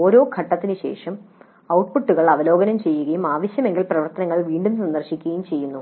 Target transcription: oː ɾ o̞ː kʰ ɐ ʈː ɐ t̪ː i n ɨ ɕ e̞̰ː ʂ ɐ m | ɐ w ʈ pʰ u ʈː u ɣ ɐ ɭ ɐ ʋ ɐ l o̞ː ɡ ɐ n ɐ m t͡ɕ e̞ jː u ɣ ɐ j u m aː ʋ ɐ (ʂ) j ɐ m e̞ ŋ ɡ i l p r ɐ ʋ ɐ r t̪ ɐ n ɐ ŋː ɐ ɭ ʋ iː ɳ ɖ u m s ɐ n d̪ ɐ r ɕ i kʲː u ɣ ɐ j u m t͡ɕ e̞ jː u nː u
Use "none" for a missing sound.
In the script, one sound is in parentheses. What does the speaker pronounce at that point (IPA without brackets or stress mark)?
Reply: ɕ